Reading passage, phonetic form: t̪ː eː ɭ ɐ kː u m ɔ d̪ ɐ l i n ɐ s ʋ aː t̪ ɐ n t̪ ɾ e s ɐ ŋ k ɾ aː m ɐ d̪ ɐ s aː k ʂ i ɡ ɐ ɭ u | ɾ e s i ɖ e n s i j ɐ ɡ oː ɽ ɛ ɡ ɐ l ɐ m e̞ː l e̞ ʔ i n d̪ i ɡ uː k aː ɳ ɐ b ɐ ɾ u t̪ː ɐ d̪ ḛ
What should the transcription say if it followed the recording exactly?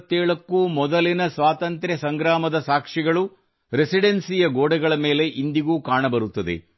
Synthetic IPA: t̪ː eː ɭ ɐ kː u m ɔ d̪ ɐ l i n ɐ s ʋ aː t̪ ɐ n t̪ ɾ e s ɐ ŋ ɡ ɾ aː m ɐ d̪ ɐ s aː k ʂ i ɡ ɐ ɭ u | ɾ e s i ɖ e n s i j ɐ ɡ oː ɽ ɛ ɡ ɐ ɭ ɐ m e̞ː l e̞ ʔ i n d̪ i ɡ uː k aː ɳ ɐ b ɐ ɾ u t̪ː ɐ d̪ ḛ